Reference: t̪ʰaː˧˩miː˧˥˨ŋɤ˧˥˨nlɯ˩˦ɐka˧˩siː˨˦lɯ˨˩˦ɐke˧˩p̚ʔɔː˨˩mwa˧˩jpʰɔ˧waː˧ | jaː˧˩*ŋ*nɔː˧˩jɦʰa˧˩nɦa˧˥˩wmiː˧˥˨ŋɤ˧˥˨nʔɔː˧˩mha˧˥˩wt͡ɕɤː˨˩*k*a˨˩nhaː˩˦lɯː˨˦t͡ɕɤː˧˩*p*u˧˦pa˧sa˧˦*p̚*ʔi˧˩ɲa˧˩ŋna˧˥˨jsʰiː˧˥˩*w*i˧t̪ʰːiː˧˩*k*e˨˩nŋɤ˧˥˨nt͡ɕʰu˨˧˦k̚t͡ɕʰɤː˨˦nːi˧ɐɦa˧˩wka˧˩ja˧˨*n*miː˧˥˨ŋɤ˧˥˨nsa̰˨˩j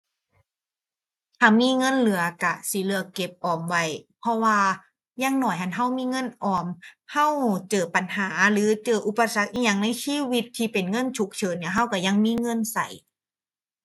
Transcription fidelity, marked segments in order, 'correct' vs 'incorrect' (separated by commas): correct, incorrect, incorrect, incorrect, correct, incorrect, incorrect